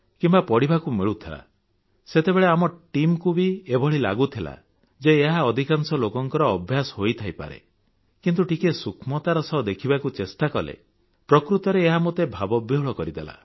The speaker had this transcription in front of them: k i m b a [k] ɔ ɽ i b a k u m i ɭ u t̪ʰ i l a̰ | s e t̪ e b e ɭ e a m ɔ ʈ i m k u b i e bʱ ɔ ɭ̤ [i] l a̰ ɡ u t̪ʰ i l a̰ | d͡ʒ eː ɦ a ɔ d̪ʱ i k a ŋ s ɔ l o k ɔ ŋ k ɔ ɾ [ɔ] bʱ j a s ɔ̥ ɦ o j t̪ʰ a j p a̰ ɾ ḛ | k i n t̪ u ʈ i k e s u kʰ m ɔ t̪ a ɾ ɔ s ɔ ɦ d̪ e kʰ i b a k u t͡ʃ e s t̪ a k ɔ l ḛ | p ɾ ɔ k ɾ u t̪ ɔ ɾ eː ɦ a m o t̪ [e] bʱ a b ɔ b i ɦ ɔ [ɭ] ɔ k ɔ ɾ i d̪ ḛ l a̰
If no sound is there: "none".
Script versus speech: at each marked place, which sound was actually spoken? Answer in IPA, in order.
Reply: p, i, ɔː, e, ɭ

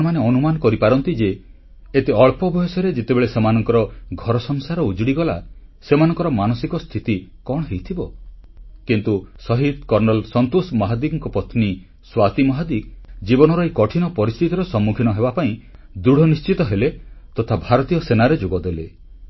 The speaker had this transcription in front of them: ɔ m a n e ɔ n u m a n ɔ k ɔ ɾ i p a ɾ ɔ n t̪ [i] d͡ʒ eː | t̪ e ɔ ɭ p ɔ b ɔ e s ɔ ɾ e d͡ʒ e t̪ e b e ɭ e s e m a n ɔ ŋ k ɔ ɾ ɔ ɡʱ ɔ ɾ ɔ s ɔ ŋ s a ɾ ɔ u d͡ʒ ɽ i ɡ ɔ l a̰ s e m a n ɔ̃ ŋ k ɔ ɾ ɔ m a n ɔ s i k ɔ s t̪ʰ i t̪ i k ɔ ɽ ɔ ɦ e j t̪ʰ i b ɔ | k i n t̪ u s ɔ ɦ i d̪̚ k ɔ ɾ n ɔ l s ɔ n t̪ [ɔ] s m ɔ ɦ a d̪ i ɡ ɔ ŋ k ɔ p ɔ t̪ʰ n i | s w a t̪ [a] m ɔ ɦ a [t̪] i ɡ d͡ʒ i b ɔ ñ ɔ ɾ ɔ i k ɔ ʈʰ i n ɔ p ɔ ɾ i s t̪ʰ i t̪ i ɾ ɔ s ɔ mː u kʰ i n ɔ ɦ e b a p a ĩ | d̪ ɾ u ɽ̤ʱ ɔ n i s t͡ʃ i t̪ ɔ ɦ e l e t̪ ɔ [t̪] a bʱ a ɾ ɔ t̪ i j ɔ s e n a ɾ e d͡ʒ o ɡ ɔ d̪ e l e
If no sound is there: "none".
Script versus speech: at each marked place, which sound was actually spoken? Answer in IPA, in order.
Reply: i, o, i, d̪, t̪ʰ

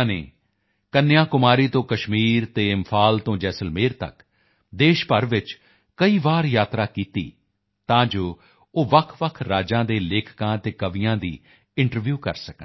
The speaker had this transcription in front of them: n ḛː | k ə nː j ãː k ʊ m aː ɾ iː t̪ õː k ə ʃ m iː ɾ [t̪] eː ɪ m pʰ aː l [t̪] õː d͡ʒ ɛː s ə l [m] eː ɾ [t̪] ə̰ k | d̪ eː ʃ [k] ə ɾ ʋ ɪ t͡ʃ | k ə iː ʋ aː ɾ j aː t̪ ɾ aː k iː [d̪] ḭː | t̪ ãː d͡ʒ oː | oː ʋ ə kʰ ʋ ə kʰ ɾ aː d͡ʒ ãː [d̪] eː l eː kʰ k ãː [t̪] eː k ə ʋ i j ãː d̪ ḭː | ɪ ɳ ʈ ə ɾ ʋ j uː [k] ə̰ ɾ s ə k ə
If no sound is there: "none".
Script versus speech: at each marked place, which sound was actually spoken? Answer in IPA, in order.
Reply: t̪, t̪, m, t̪, p, t̪, d̪, t̪, k

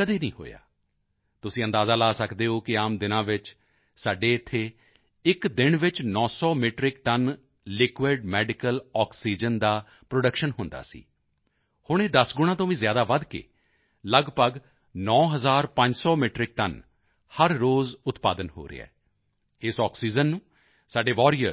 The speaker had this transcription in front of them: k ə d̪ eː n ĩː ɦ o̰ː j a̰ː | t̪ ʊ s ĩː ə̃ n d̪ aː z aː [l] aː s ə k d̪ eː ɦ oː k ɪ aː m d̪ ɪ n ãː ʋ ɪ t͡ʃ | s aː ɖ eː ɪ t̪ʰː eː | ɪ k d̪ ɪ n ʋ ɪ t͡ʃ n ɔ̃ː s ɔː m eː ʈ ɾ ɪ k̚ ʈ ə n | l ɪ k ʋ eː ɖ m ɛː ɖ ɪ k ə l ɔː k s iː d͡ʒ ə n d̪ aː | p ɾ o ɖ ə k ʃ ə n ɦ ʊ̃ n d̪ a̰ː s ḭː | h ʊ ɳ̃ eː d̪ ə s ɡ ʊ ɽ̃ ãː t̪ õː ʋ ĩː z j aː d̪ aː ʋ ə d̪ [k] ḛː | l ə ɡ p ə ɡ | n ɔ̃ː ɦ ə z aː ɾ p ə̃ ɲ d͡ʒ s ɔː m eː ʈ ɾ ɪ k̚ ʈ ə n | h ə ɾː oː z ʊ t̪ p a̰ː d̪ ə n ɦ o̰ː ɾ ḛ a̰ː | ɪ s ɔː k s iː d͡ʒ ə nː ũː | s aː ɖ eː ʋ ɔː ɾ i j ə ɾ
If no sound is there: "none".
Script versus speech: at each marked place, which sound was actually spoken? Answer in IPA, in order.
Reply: l, k

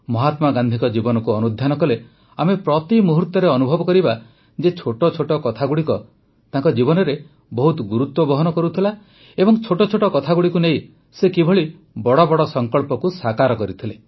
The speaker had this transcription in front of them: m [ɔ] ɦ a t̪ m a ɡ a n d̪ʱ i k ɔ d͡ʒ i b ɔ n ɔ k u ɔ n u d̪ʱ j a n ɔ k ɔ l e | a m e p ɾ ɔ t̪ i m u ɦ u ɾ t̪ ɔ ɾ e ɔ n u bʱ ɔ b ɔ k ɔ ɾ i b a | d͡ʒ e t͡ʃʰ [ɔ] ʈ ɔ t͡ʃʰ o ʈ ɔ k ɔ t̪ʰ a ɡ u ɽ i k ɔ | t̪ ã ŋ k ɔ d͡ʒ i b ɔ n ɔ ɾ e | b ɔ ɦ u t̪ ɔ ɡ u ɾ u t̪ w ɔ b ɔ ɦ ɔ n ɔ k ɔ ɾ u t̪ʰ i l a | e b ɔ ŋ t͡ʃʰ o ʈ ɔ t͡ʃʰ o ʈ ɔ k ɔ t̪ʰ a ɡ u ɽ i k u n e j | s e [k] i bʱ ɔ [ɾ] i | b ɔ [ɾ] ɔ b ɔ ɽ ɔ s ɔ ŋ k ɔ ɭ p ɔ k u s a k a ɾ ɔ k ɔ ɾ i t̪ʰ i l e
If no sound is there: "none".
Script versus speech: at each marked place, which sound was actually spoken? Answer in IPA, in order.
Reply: ɔ, o, k, ɭ, ɽ

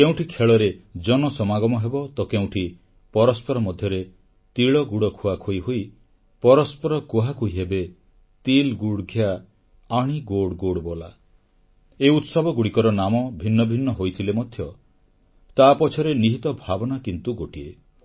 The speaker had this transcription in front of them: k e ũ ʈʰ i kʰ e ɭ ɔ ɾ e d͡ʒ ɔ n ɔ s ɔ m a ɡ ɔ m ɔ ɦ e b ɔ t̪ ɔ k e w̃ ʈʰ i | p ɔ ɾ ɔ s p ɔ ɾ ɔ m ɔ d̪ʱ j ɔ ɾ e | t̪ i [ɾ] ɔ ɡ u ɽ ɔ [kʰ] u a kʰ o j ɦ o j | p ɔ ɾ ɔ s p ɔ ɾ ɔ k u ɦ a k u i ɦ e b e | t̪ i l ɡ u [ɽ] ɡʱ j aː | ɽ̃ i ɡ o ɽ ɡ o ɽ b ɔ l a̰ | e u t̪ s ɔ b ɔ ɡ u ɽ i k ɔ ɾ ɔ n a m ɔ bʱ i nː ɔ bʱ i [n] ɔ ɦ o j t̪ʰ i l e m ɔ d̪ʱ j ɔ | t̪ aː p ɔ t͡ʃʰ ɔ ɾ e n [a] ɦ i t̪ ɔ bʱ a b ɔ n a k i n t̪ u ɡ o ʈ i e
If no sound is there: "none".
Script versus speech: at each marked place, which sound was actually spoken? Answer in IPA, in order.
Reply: ɭ, kʰ, ɽ, nː, i

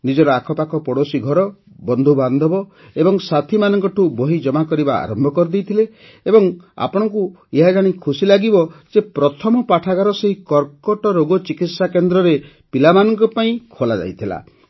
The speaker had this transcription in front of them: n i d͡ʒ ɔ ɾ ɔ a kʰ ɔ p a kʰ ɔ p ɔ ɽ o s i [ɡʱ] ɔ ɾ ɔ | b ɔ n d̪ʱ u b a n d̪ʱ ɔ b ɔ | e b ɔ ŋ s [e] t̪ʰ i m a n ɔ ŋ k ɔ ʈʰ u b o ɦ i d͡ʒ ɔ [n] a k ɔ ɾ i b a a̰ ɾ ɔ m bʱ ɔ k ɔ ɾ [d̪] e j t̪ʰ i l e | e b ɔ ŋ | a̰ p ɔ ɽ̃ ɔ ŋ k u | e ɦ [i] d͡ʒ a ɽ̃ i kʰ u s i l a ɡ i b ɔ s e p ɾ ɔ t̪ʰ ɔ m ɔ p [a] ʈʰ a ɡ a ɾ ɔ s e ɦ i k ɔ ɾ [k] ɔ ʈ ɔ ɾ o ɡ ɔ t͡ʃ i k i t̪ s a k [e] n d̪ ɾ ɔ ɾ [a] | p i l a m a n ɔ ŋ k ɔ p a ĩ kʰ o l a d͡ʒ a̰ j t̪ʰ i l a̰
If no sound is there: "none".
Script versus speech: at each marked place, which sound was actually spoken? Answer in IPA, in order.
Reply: ɡʱ, a, m, d̪, a, a, k, e, e

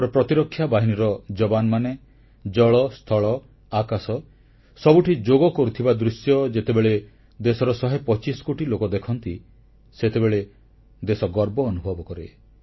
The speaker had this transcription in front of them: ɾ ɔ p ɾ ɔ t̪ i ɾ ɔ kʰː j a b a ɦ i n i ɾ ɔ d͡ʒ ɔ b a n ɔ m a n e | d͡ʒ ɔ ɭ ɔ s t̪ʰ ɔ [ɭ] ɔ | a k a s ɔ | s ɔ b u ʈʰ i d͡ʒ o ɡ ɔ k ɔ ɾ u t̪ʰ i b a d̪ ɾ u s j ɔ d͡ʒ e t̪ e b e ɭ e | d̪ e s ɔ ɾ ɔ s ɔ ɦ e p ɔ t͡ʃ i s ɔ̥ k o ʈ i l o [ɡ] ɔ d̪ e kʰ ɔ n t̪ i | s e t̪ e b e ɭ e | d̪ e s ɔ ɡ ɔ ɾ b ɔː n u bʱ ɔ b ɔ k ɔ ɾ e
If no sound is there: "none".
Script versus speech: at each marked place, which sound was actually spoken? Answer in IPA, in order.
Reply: ɭ, k

